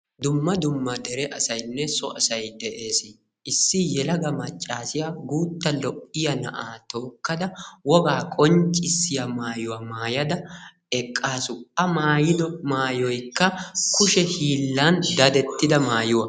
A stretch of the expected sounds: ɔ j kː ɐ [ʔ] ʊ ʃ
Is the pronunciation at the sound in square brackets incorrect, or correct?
incorrect